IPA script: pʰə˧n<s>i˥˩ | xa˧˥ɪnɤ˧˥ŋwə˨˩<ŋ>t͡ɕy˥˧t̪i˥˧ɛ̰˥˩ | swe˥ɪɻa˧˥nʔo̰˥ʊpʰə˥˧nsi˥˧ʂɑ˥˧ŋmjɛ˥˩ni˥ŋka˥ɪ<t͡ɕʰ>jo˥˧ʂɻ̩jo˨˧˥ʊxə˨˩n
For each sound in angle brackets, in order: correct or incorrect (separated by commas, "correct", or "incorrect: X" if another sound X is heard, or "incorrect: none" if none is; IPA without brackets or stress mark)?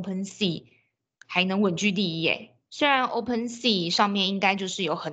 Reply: correct, incorrect: n, incorrect: t͡ɕ